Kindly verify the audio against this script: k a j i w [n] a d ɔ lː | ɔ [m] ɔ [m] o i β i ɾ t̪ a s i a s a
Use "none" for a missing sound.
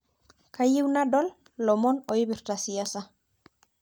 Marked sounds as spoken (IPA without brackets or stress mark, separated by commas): n, m, n